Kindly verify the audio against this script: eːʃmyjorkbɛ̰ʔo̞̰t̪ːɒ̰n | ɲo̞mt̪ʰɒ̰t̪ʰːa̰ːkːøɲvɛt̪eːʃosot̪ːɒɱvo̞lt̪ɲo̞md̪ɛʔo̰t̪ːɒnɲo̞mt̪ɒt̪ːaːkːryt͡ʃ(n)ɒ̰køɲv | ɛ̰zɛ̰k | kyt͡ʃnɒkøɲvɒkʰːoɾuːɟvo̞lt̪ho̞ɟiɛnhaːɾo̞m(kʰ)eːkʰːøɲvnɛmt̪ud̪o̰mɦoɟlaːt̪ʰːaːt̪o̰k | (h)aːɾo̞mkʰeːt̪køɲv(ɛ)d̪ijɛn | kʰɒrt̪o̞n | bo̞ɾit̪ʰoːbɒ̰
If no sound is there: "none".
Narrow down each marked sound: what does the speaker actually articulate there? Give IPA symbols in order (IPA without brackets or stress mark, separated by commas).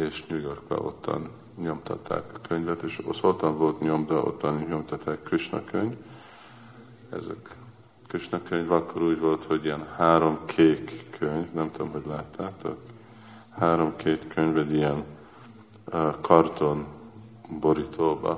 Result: n, kʰ, h, ɛ